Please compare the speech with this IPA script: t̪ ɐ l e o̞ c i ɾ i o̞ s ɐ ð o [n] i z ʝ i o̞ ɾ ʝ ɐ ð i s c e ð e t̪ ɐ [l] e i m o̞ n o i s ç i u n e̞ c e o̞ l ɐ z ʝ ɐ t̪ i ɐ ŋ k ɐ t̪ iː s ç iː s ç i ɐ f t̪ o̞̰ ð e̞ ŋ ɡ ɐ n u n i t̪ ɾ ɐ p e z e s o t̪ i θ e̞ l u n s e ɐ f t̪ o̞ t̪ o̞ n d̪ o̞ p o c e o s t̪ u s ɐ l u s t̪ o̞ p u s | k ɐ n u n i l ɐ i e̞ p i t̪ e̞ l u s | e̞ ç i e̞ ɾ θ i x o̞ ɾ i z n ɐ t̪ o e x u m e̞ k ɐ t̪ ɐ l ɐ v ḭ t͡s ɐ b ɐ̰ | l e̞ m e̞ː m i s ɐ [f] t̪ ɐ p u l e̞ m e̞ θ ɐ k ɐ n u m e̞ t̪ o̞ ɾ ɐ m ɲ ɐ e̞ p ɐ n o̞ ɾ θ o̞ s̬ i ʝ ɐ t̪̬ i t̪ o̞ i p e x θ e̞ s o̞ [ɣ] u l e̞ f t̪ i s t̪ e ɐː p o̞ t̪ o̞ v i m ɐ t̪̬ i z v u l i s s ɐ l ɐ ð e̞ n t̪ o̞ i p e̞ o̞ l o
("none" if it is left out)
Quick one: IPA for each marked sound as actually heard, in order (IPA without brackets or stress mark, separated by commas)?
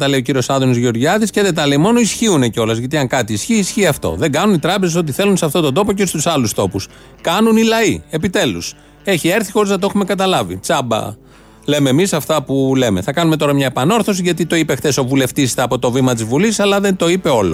n, l, f, v